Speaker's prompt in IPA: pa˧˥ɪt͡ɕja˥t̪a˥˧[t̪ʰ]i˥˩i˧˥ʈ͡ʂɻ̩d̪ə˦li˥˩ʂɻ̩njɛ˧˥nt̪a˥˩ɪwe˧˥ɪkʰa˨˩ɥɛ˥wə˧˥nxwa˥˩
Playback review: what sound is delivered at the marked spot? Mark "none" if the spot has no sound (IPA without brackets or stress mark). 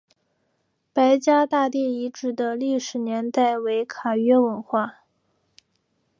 t̪